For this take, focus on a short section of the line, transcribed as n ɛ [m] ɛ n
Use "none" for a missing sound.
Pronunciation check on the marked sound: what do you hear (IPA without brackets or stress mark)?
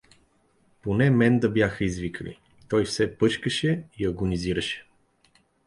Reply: m